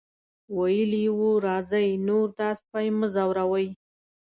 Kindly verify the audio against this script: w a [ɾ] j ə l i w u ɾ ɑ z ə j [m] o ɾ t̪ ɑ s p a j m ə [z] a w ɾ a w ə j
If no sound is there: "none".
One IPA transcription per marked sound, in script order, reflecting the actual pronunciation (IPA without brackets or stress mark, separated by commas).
none, n, z